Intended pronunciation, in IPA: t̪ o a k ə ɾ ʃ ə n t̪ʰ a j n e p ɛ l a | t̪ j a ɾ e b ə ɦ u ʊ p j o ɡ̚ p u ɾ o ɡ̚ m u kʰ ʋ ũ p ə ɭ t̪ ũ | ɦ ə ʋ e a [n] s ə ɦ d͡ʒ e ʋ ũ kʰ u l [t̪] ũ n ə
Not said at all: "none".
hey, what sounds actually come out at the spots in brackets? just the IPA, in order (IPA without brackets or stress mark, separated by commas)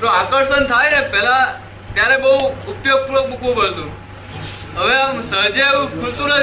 m, t̪